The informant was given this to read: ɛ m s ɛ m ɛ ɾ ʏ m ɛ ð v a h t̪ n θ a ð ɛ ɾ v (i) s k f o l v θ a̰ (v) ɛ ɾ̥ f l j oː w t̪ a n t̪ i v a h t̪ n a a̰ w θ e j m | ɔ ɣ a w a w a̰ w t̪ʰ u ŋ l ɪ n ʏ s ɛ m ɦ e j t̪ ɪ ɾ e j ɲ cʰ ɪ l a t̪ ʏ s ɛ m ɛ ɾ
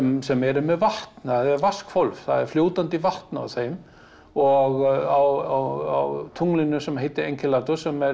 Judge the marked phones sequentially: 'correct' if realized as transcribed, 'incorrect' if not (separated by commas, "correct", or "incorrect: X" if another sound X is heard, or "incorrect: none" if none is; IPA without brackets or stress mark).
incorrect: a, incorrect: ð